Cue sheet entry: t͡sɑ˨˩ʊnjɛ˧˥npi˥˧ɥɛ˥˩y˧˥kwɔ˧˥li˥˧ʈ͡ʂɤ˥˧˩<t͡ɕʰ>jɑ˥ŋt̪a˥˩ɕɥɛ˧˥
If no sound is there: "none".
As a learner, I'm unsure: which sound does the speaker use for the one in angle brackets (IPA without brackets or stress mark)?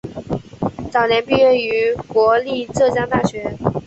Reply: t͡ɕ